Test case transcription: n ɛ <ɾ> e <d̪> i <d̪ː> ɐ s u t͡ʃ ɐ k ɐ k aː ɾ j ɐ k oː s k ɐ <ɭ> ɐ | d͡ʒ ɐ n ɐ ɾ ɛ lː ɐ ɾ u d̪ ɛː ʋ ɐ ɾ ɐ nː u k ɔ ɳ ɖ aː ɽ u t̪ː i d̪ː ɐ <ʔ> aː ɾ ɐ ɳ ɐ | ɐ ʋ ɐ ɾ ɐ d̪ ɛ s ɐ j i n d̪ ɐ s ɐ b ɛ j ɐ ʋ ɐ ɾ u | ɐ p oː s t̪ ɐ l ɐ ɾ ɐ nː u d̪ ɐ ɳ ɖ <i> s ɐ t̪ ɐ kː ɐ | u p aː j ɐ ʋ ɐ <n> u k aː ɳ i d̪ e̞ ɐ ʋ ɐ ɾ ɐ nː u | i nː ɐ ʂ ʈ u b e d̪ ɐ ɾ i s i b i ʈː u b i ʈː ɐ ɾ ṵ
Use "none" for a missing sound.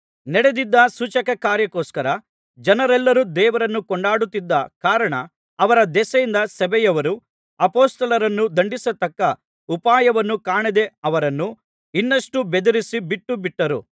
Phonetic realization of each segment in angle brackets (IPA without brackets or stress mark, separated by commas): ɽ, d̪, d̪ː, ɾ, k, i, nː